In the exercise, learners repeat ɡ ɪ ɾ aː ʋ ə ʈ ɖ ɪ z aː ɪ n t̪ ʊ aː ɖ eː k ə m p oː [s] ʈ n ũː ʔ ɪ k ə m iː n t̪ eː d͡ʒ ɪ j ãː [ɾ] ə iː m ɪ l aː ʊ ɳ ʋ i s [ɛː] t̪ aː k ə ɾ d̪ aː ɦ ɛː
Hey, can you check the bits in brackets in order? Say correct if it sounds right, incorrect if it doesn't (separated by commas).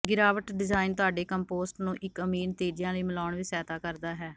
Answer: correct, incorrect, correct